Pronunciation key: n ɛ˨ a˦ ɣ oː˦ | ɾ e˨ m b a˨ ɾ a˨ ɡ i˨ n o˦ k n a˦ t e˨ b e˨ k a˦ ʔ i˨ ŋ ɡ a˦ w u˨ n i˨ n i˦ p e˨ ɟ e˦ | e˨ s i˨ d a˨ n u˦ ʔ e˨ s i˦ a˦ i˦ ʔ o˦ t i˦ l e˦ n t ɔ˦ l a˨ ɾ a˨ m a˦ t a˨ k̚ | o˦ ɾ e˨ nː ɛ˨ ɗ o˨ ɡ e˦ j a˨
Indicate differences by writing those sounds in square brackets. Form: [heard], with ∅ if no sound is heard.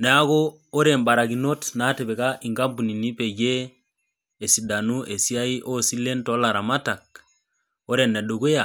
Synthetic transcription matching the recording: n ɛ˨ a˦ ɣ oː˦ | ɾ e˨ m b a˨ ɾ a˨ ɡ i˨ n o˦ [t] n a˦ t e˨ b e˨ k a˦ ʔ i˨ ŋ ɡ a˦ [b] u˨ n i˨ n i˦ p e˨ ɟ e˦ | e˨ s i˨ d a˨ n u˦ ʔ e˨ s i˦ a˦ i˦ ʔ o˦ [s] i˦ l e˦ n t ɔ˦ l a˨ ɾ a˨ m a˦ t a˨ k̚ | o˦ ɾ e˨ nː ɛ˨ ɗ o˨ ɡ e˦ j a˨